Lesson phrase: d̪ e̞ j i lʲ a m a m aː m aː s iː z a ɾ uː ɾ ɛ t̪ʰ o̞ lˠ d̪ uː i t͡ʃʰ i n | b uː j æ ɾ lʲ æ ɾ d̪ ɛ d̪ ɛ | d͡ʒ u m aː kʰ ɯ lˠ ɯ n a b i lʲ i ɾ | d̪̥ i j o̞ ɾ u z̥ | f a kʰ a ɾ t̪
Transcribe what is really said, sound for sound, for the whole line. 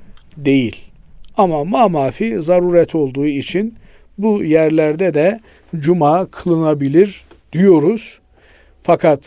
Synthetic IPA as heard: d̪ e̞ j i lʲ a m a m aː m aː f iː z a ɾ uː ɾ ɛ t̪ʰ o̞ lˠ d̪ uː i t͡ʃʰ i n | b u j æ ɾ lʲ æ ɾ d̪ ɛ d̪ ɛ | d͡ʒ u m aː kʰ ɯ lˠ ɯ n a b i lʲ i ɾ | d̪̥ i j o̞ ɾ u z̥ | f a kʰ a t̪